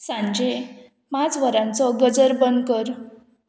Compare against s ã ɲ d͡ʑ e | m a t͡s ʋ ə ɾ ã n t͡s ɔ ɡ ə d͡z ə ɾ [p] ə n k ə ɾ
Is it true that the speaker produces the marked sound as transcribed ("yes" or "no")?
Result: no